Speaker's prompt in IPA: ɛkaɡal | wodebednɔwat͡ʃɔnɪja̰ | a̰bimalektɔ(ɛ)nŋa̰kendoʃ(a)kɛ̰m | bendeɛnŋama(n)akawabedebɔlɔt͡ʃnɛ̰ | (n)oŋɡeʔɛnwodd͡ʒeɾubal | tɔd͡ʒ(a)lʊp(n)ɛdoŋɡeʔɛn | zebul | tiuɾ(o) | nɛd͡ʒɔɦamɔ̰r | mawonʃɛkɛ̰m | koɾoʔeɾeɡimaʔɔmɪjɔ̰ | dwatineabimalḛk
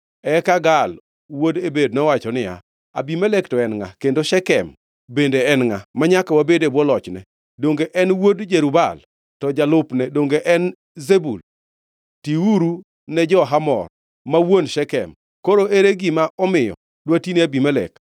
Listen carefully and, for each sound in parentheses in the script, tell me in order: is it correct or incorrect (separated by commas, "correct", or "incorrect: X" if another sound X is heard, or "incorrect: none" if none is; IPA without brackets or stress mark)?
correct, incorrect: ɛ, incorrect: ɲ, incorrect: d, correct, correct, incorrect: u